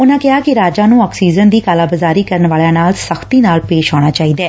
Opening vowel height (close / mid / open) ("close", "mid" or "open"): close